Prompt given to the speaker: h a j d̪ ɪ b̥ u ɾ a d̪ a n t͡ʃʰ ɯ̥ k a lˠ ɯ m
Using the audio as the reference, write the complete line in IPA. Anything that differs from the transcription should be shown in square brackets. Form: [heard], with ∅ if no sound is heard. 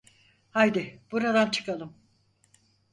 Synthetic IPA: h a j d̪ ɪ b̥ u ɾ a d̪ a n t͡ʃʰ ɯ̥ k a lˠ ɯ m

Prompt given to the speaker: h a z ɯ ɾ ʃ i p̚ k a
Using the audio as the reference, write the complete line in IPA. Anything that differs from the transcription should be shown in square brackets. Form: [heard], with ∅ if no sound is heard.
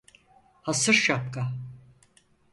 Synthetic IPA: h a [s] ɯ ɾ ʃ [a] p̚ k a

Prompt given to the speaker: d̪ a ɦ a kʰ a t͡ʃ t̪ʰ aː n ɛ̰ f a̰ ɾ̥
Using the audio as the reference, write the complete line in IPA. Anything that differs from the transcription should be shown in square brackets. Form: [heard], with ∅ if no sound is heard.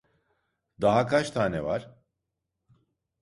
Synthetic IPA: d̪ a ɦ a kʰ a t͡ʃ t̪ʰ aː n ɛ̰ [v] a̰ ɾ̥

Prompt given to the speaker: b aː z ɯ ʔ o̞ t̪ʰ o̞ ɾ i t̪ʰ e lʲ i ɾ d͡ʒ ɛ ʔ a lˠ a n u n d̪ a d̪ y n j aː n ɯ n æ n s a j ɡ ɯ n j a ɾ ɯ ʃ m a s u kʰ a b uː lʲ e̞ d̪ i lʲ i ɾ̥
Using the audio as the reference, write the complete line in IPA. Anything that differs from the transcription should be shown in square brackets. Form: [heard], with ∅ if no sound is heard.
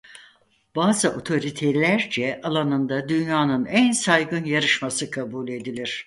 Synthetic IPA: b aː z ɯ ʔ o̞ t̪ʰ o̞ ɾ i t̪ʰ e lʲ [æ] ɾ d͡ʒ ɛ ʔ a lˠ a n [ɯ] n d̪ a d̪ y n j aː n ɯ n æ n s a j ɡ ɯ n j a ɾ ɯ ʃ m a s [ɯ] kʰ a b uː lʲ e̞ d̪ i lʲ i ɾ̥

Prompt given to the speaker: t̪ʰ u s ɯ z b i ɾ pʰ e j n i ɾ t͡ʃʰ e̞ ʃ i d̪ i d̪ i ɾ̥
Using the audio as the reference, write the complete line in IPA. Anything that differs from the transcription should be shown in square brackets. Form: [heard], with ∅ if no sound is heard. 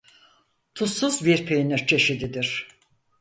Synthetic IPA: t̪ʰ u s [u] z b i ɾ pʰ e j n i ɾ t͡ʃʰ e̞ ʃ i d̪ i d̪ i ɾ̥

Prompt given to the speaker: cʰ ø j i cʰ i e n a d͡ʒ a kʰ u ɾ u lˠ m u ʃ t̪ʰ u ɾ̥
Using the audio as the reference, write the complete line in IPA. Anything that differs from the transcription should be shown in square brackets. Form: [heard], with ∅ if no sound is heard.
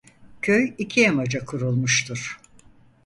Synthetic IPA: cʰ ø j i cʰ i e [m] a d͡ʒ a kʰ u ɾ u lˠ m u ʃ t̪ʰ u ɾ̥

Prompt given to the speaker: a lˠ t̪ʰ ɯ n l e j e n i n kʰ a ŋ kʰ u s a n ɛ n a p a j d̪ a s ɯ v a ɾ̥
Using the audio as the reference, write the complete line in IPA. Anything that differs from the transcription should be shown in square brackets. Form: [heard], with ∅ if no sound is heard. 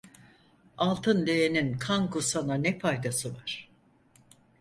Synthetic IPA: a lˠ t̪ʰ ɯ n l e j e n i n kʰ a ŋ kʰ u s a n [a] n [ɛ] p a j d̪ a s ɯ v a ɾ̥

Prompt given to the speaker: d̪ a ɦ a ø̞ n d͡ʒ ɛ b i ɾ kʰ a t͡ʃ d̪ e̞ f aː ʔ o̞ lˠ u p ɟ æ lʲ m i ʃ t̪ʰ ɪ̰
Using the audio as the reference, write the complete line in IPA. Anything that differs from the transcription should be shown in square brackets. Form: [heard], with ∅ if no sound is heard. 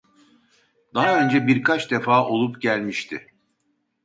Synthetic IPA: d̪ a ɦ a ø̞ n d͡ʒ ɛ b i ɾ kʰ a t͡ʃ d̪ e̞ f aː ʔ o̞ lˠ u p ɟ æ lʲ m i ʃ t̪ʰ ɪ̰

